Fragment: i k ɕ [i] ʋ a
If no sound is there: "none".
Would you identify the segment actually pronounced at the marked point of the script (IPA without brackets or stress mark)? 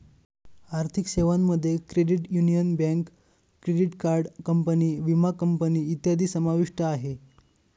e